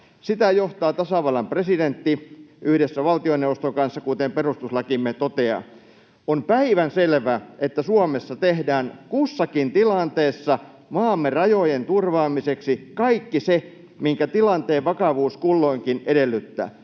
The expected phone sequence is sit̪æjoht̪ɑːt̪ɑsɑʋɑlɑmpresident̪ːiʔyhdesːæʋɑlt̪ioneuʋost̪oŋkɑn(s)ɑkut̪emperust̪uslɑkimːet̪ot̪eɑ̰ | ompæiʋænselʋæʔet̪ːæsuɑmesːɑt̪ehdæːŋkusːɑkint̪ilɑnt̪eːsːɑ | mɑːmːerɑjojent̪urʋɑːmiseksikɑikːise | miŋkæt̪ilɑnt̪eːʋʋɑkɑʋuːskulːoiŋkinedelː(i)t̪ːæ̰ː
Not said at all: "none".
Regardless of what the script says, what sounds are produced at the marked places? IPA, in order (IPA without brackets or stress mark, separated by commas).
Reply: sː, y